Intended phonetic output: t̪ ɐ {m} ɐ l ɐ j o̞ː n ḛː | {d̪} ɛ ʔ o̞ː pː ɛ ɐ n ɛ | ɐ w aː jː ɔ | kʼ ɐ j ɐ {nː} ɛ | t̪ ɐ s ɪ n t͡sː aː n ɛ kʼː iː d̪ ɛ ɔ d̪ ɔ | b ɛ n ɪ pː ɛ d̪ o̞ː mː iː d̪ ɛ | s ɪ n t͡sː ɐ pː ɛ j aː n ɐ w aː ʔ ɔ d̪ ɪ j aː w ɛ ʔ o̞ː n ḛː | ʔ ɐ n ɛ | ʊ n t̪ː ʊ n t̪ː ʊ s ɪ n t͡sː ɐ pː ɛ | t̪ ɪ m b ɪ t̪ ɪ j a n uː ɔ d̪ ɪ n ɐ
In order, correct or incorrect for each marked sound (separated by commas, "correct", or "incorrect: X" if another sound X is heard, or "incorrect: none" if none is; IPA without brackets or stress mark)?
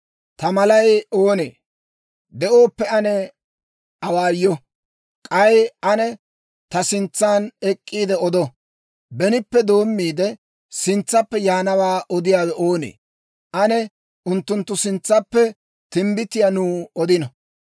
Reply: correct, correct, incorrect: n